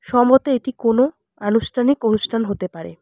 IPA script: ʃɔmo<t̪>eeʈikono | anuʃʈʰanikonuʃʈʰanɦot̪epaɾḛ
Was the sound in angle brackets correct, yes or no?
yes